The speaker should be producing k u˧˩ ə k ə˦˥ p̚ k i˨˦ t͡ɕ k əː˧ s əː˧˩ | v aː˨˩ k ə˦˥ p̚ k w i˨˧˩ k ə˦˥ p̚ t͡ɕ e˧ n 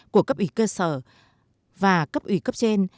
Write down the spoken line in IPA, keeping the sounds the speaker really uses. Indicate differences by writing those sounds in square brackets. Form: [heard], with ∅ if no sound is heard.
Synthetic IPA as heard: k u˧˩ ə k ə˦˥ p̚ [ʔ] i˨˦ [∅] k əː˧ s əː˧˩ | v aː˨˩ k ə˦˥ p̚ [ʔ] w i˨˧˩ k ə˦˥ p̚ t͡ɕ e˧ n